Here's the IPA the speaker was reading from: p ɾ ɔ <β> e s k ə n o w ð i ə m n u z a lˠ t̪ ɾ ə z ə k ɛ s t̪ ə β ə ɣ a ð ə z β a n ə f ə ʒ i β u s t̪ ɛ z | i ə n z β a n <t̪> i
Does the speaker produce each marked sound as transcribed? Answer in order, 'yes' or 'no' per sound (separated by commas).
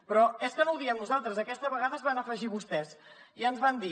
no, no